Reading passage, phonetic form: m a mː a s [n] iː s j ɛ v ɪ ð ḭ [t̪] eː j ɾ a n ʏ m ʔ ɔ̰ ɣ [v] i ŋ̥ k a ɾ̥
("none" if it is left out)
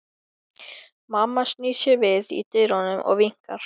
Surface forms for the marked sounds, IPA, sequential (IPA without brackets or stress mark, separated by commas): n, t̪, v